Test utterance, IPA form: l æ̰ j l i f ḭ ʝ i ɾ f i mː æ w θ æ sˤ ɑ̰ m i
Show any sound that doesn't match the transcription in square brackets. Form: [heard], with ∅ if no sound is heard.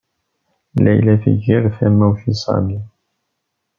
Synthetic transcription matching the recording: l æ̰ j l [æ] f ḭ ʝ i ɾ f [æ] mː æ w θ [i] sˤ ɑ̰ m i